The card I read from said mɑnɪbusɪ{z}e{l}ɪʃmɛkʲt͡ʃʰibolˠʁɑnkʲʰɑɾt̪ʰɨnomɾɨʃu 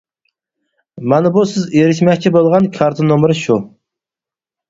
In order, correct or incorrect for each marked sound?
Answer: correct, incorrect: ɾ

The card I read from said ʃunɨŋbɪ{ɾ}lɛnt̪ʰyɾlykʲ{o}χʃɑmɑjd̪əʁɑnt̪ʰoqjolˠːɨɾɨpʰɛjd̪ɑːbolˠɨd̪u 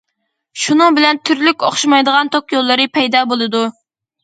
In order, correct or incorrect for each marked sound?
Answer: incorrect: none, correct

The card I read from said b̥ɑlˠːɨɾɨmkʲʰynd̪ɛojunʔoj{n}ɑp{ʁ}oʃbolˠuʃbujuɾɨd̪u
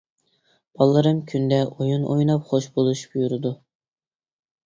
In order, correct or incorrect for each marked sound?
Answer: correct, incorrect: χ

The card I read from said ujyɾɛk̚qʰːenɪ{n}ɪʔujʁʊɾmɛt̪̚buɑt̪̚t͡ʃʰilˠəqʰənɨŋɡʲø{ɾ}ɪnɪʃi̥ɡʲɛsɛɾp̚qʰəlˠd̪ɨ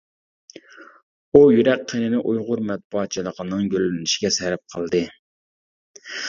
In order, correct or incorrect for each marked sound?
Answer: correct, incorrect: l

